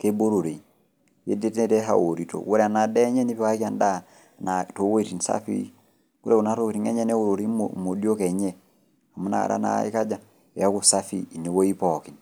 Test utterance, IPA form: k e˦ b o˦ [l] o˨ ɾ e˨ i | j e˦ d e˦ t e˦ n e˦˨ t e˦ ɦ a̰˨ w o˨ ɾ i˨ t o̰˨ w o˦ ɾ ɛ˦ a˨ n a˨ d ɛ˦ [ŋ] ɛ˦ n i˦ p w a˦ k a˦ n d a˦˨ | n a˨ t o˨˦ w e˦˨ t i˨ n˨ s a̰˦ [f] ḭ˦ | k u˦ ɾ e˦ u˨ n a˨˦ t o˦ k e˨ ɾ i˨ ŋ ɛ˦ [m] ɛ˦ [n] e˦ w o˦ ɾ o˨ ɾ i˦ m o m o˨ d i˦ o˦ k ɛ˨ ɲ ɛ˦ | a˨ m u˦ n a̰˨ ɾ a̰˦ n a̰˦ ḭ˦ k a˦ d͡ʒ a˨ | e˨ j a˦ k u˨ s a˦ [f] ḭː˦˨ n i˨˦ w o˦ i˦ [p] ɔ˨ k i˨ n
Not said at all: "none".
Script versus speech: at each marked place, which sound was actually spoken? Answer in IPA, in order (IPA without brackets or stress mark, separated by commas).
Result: ɾ, ɲ, f, ɲ, n, f, p